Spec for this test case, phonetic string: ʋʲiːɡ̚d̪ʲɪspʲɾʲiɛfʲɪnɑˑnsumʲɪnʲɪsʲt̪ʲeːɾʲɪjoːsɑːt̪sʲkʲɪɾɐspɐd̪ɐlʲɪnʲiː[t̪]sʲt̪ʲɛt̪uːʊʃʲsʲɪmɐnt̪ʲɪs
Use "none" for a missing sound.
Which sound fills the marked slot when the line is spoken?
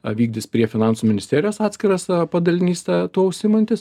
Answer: none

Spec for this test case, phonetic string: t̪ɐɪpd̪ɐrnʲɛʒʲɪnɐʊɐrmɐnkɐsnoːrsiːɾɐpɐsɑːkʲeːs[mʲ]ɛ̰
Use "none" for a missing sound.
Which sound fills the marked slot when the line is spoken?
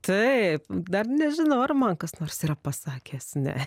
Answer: nʲ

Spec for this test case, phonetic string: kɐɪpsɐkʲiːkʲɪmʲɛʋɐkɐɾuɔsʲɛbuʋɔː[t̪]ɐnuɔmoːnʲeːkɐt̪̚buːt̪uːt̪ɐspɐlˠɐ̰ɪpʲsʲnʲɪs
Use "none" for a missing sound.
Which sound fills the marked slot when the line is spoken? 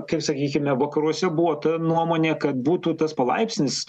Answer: t̪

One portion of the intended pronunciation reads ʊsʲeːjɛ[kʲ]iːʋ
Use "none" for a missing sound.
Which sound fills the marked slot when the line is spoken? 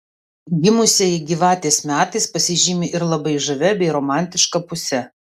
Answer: ɡʲ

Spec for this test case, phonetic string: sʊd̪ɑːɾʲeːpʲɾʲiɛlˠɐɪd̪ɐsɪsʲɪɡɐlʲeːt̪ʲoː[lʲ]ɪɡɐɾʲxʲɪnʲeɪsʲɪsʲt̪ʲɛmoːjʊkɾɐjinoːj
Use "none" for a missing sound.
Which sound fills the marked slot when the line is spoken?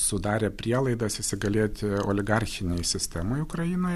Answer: lʲ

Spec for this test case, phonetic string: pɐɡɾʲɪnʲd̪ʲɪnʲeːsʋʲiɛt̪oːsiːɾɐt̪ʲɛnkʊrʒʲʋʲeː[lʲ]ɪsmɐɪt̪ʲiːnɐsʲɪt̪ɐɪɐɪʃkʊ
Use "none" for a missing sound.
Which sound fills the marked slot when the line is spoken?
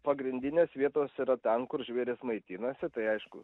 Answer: ɾʲ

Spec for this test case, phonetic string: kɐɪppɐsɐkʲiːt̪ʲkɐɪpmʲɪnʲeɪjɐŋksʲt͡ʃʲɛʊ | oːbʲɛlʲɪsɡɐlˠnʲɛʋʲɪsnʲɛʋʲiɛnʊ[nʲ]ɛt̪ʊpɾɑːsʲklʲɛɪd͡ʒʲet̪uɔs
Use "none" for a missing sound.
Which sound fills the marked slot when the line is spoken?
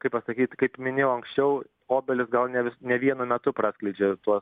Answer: mʲ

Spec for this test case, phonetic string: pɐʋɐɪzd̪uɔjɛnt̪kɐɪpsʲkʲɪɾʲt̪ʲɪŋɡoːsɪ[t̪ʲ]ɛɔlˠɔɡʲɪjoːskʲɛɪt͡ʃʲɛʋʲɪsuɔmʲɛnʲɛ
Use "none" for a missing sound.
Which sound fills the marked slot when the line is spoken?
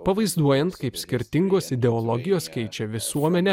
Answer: d̪ʲ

